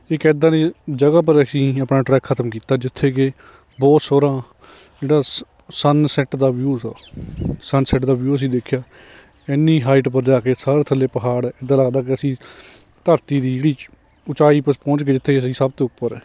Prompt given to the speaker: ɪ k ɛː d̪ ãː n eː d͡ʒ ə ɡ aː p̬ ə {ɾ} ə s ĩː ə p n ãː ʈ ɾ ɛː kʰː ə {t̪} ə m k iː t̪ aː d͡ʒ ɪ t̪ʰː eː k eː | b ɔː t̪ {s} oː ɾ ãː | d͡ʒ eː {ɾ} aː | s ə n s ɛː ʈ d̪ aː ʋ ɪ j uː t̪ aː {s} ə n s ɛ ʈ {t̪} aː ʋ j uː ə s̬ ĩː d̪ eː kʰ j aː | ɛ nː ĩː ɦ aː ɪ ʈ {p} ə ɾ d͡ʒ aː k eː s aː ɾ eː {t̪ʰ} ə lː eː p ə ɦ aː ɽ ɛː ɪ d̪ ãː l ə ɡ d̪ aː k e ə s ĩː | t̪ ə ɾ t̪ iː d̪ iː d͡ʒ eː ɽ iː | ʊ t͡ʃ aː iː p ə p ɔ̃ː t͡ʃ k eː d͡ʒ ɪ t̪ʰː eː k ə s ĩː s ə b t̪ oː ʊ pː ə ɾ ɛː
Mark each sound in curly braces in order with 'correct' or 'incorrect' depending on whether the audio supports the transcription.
correct, correct, correct, incorrect, correct, incorrect, correct, correct

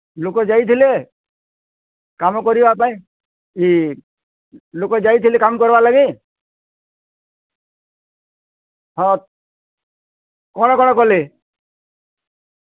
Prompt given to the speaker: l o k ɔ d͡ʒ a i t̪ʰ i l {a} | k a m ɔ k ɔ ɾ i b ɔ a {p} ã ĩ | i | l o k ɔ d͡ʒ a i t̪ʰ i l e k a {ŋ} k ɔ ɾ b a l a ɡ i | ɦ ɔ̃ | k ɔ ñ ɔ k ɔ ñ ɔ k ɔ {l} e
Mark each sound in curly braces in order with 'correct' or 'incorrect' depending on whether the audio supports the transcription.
incorrect, correct, incorrect, correct

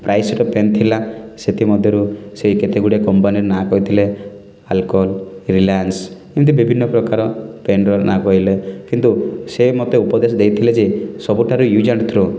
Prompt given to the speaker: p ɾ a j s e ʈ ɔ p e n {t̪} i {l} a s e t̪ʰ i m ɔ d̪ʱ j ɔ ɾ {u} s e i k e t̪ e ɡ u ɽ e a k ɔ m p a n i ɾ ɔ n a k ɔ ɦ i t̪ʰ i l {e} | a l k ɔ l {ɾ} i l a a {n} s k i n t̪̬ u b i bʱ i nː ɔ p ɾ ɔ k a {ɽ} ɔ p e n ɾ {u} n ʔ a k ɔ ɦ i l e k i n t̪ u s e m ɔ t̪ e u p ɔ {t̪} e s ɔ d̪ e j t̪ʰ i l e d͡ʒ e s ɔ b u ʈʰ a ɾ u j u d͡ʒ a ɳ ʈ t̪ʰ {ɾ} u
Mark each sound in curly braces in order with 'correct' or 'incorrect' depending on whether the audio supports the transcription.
incorrect, correct, correct, correct, correct, correct, incorrect, incorrect, incorrect, correct

